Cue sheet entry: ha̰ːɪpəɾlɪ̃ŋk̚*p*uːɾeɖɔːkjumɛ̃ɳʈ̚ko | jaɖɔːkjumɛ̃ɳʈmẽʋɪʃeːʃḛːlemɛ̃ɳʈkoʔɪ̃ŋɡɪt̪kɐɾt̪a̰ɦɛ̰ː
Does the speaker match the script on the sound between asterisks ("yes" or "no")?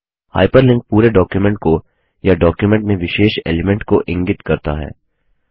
yes